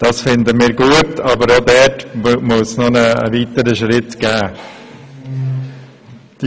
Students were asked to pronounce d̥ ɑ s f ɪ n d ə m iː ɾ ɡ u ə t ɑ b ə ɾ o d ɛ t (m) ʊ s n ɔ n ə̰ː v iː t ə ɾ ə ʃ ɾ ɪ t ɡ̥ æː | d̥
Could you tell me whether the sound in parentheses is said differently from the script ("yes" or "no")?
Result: no